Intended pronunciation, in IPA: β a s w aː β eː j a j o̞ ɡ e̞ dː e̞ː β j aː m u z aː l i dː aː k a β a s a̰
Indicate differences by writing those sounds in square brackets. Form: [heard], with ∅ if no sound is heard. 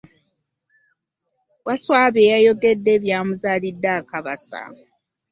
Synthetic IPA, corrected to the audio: [w] a s w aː β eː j a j o̞ ɡ e̞ dː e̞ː β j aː m u z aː l i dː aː k a β a s a̰